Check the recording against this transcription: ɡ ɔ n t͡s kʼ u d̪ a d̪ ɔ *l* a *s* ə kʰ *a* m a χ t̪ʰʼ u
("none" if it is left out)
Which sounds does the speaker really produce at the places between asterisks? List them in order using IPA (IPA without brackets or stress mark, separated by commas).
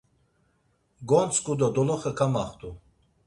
l, χ, a